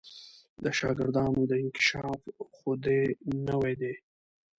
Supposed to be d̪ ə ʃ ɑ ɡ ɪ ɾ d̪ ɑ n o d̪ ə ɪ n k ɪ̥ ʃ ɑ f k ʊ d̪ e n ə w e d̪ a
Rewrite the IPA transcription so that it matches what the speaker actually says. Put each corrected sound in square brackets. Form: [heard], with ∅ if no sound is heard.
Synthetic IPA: d̪ ə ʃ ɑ ɡ ɪ ɾ d̪ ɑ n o d̪ ə ɪ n k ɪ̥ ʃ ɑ f [x] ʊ d̪ e n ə w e d̪ [e]